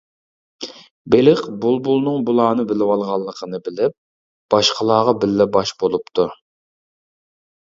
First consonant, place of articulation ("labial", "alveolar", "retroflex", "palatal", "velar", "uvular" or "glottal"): labial